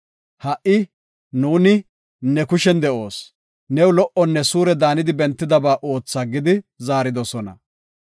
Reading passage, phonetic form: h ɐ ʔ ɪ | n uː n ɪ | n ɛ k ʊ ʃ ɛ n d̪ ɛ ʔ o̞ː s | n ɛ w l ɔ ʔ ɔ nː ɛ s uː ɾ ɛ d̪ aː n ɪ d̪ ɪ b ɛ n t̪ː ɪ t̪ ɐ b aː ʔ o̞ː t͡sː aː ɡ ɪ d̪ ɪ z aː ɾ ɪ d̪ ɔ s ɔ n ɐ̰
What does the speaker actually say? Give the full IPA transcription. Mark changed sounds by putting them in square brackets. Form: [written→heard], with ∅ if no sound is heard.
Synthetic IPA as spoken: h ɐ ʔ ɪ | n uː n ɪ | n ɛ k ʊ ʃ ɛ n d̪ ɛ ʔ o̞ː s | n ɛ w l ɔ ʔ ɔ nː ɛ s uː ɾ ɛ d̪ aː n ɪ d̪ ɪ b ɛ n t̪ː ɪ [t̪→d̪] ɐ b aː ʔ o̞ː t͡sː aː ɡ ɪ d̪ ɪ z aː ɾ ɪ d̪ ɔ s ɔ n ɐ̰